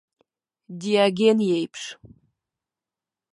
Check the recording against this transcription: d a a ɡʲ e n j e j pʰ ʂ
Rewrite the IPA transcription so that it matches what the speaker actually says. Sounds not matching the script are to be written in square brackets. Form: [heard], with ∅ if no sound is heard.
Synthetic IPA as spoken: d [i] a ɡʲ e n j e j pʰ ʂ